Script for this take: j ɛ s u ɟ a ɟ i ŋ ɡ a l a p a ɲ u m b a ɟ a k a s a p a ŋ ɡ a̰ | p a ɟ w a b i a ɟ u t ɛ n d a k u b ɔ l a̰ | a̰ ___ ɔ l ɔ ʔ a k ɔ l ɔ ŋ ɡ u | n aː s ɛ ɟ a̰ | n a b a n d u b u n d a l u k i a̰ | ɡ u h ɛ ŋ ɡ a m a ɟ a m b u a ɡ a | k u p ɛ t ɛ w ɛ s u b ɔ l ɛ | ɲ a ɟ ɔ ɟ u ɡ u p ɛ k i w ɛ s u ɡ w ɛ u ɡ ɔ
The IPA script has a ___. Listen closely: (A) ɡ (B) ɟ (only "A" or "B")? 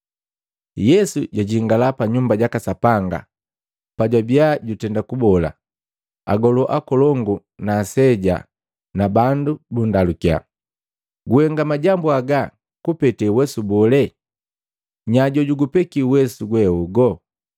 A